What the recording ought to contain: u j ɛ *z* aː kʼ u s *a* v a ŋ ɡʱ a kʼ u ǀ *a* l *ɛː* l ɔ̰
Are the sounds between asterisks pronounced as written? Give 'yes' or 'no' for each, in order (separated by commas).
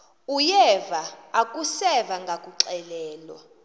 no, no, no, yes